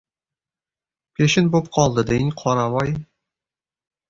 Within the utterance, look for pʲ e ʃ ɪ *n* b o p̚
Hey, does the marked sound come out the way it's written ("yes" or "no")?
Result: yes